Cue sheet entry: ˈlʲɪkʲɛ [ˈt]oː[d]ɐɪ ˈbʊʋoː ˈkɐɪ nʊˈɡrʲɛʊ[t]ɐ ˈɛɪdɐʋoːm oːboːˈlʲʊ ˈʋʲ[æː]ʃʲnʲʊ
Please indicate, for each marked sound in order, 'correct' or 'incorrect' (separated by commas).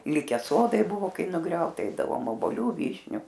incorrect, correct, correct, incorrect